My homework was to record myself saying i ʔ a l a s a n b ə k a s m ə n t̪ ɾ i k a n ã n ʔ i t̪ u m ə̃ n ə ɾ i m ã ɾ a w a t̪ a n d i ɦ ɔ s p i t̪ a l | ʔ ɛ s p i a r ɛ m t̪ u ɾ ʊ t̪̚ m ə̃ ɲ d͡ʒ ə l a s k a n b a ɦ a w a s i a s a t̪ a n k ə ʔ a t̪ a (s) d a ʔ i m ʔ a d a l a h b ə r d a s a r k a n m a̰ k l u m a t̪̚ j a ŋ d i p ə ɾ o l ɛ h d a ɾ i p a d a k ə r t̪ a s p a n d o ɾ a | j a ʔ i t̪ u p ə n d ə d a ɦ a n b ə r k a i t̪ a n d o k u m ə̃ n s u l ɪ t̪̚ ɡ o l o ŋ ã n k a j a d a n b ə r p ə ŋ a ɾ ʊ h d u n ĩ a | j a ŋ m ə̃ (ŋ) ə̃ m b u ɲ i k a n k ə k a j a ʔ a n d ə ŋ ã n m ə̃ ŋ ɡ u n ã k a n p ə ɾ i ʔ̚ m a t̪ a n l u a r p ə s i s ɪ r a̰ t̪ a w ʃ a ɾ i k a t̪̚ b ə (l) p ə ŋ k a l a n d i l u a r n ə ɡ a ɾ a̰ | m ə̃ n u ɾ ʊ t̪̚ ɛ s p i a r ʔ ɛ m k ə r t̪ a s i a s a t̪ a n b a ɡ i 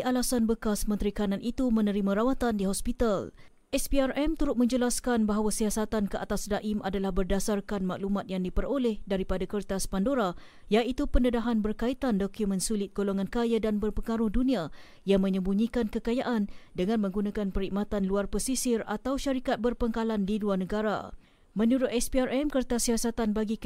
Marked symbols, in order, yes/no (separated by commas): yes, no, no